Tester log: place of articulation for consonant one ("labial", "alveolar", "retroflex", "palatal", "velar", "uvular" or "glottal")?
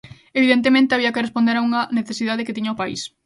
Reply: labial